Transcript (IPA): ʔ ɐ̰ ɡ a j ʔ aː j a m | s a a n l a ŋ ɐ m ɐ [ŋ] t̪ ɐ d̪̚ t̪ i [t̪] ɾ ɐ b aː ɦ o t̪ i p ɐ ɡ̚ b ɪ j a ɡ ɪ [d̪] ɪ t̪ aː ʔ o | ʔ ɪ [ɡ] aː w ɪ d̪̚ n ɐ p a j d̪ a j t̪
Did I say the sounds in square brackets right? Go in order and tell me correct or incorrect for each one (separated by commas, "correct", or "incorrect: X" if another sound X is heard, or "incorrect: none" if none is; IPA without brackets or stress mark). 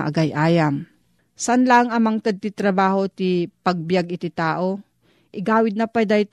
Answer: correct, correct, incorrect: t̪, correct